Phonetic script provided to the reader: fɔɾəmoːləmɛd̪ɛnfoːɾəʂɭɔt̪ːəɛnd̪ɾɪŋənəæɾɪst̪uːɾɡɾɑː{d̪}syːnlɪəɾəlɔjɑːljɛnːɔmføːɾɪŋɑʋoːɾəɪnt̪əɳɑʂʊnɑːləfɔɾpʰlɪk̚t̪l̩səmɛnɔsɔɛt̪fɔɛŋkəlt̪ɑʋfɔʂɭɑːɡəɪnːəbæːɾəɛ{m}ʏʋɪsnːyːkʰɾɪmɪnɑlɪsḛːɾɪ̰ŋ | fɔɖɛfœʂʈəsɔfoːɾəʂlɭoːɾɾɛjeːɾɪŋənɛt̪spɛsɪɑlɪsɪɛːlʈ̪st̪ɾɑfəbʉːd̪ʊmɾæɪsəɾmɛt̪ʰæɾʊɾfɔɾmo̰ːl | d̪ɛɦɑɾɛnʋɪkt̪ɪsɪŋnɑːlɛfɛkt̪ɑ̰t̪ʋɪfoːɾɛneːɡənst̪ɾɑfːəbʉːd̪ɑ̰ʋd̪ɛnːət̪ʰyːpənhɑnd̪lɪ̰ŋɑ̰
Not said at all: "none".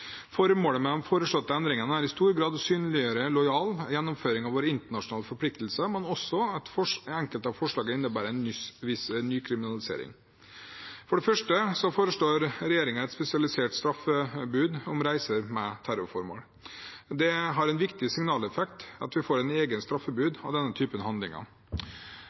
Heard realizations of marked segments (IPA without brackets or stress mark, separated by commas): d̪, n